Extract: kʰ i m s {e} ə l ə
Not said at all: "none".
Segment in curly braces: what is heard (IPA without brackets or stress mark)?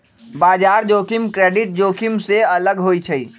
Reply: e